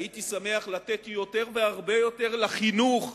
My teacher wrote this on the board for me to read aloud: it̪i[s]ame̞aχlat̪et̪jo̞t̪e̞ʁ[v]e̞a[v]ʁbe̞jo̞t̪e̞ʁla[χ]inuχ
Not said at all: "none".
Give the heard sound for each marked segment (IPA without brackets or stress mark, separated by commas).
s, v, none, χ